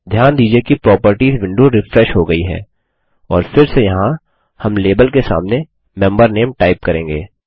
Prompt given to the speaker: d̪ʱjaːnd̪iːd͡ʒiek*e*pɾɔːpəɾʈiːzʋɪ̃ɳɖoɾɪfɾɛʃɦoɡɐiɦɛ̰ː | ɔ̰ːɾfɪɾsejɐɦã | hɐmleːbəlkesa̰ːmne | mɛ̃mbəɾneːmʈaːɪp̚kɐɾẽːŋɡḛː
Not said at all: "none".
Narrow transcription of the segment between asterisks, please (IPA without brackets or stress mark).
i